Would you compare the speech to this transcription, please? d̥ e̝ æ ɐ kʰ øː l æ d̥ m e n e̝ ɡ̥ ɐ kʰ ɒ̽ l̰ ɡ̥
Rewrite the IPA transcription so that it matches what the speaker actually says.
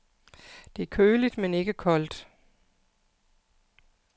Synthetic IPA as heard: d̥ e̝ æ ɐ kʰ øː l i d̥ m e n e̝ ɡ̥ ə kʰ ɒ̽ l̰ d̥